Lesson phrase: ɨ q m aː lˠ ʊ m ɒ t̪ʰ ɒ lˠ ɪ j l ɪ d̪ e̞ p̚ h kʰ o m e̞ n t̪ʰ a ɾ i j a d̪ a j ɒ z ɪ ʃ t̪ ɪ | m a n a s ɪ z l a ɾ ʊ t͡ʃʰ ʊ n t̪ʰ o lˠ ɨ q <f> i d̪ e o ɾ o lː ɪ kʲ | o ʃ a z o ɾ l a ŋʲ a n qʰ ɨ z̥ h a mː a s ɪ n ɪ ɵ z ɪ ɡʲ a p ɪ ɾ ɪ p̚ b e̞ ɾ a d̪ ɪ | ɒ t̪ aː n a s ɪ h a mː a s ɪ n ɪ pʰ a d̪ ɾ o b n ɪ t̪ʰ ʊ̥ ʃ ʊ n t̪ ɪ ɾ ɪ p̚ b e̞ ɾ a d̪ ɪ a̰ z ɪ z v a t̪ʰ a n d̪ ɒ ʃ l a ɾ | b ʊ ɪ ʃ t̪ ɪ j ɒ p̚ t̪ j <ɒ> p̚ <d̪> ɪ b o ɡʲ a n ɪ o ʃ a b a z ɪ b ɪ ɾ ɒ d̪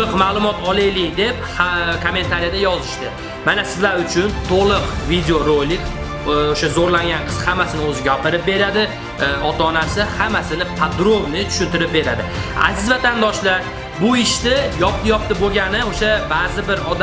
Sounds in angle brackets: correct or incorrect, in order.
incorrect: v, correct, incorrect: t̪

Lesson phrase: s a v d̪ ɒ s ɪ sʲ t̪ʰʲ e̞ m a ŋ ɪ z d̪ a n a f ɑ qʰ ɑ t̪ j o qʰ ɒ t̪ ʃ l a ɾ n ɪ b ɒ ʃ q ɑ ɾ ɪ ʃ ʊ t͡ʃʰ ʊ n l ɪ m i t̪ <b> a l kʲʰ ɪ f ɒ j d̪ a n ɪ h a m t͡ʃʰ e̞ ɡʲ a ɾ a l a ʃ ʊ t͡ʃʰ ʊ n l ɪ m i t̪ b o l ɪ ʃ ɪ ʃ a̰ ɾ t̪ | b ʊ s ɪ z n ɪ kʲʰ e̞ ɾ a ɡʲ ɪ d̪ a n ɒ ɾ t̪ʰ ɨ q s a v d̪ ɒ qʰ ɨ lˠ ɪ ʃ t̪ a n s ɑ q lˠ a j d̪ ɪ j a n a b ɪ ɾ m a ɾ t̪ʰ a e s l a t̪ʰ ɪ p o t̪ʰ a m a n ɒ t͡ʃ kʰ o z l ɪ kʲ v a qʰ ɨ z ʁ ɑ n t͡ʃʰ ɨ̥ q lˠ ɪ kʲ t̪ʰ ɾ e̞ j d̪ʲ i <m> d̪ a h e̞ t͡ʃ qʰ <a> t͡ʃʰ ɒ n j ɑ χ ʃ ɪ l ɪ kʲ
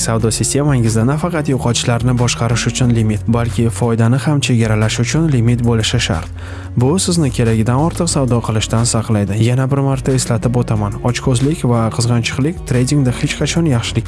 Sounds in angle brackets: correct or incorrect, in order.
correct, incorrect: ŋ, incorrect: ɑ

